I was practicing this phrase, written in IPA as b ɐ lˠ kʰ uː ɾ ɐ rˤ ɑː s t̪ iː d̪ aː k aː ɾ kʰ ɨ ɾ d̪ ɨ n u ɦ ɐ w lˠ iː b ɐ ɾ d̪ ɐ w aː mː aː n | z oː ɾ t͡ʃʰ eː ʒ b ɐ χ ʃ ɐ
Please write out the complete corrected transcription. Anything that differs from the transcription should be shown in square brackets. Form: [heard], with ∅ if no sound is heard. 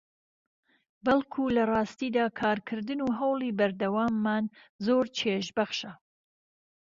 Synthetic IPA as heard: b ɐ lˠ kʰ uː [l] ɐ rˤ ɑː s t̪ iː d̪ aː [kʰ] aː ɾ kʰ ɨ ɾ d̪ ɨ n u ɦ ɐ w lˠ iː b ɐ ɾ d̪ ɐ w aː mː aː n | z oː ɾ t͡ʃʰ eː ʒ b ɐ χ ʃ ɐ

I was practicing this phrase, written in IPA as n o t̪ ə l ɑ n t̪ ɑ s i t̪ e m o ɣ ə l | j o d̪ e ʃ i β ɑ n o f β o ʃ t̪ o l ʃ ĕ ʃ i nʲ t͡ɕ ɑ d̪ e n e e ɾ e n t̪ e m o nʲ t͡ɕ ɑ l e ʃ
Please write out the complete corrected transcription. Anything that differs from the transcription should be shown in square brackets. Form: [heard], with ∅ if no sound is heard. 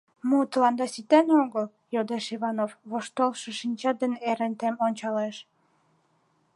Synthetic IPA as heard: [m] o t̪ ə l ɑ n [d̪] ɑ s i t̪ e [n] o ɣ ə l | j o d̪ e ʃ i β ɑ n o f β o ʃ t̪ o l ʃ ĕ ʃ i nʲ t͡ɕ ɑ d̪ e n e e ɾ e n t̪ e m o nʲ t͡ɕ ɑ l e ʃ

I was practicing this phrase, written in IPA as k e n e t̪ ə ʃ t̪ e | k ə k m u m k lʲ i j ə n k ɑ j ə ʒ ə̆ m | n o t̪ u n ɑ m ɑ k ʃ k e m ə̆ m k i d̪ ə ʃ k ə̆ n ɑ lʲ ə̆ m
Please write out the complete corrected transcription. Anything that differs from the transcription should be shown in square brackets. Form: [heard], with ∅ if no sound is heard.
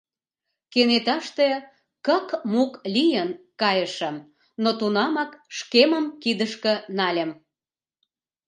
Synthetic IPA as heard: k e n e t̪ [ɑ] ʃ t̪ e | k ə k m u [∅] k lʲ i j ə n k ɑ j ə [ʃ] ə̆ m | n o t̪ u n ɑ m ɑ k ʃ k e m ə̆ m k i d̪ ə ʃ k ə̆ n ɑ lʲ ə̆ m

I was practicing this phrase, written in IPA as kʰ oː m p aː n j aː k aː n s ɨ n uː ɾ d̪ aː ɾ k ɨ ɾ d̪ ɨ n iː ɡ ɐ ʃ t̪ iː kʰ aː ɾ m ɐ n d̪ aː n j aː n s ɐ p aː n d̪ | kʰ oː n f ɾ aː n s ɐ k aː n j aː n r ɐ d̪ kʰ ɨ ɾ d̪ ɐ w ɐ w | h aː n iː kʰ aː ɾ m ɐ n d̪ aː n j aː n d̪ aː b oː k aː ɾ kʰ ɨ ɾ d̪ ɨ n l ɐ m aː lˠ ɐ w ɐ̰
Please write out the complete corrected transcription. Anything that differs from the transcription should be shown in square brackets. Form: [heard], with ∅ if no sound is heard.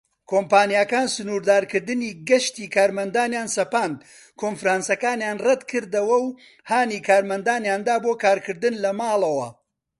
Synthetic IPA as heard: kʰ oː m p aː n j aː k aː n s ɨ n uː ɾ d̪ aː ɾ k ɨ ɾ d̪ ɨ n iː ɡ ɐ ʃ t̪ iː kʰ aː ɾ m ɐ n d̪ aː n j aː n s ɐ p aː n d̪ | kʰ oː n f ɾ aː n s ɐ k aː n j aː n r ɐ d̪ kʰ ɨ ɾ d̪ ɐ w ɐ w | h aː n iː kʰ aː ɾ m ɐ n d̪ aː n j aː n d̪ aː b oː k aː ɾ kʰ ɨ ɾ d̪ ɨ n l ɐ m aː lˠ ɐ w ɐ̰

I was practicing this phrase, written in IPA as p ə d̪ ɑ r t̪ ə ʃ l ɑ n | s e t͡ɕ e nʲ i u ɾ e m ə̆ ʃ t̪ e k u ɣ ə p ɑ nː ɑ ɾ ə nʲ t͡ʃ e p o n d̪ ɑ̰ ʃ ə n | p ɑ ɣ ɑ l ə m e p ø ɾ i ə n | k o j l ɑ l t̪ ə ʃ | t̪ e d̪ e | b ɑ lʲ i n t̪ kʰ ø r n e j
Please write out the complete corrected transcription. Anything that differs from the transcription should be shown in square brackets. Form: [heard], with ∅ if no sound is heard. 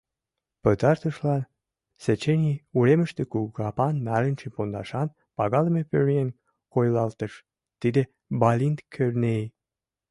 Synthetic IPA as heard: p ə [t̪] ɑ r t̪ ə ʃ l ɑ n | s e t͡ɕ e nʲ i u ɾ e m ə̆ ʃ t̪ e k u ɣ [ɑ] p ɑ nː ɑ ɾ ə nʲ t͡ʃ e p o n d̪ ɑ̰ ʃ [ɑ] n | p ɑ ɣ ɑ l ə m e p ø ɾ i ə n | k o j l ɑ l t̪ ə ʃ | t̪ [i] d̪ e | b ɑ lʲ i n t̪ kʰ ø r n e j

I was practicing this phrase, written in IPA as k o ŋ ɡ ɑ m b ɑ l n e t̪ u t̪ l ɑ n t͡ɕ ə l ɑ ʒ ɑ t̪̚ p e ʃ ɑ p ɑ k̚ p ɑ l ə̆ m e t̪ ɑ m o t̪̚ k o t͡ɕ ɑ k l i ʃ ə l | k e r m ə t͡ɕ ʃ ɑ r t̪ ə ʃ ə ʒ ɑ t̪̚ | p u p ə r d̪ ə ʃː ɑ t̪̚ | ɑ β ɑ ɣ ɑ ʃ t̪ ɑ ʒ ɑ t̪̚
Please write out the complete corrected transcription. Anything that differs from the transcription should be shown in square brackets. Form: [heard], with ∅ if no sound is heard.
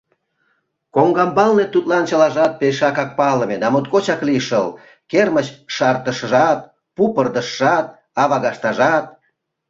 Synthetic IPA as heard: k o ŋ ɡ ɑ m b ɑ l n e t̪ u t̪ l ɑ n t͡ɕ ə l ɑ ʒ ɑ t̪̚ p e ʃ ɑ [k] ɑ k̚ p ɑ l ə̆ m e [d̪] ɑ m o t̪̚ k o t͡ɕ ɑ k l i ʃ ə l | k e r m ə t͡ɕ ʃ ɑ r t̪ ə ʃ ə ʒ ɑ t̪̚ | p u p ə r d̪ ə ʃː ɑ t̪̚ | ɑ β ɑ ɣ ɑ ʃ t̪ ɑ ʒ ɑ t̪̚

